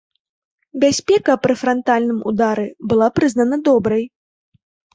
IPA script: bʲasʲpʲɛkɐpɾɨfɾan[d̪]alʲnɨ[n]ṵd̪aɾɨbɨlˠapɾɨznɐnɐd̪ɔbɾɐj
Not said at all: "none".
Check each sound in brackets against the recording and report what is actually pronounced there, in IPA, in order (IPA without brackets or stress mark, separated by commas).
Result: t̪, m